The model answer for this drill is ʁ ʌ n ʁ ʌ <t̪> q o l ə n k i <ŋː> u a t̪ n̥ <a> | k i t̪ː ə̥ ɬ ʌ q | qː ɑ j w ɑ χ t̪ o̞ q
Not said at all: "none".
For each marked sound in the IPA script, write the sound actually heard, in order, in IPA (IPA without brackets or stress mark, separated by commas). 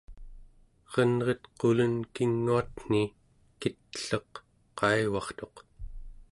t̪, ŋː, i